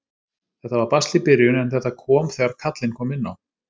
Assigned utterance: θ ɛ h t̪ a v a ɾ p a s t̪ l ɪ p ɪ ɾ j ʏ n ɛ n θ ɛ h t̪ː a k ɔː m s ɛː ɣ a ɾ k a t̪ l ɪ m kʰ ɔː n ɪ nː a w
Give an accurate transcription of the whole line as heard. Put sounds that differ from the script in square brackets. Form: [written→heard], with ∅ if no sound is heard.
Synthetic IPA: θ ɛ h t̪ a v a ɾ p a s t̪ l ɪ p ɪ ɾ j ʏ n ɛ n θ ɛ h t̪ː a [k→kʰ] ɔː m [s→θ] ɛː ɣ a ɾ [k→kʰ] a t̪ l ɪ [m→n] kʰ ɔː [n→m] ɪ nː a w